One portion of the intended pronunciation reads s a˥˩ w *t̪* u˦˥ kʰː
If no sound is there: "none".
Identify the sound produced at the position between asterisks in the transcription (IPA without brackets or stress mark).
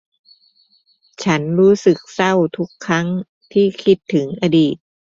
t̪ʰ